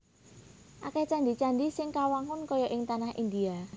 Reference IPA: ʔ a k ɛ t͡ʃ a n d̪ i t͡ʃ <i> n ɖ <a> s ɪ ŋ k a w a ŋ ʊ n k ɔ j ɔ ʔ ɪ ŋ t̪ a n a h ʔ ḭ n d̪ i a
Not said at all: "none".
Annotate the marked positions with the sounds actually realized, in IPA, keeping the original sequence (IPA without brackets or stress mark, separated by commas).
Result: a, i